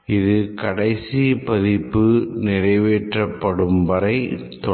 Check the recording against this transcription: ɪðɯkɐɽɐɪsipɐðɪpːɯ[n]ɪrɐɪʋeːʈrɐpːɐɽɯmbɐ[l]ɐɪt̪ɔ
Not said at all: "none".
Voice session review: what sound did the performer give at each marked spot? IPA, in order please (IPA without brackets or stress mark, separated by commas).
n, ɾ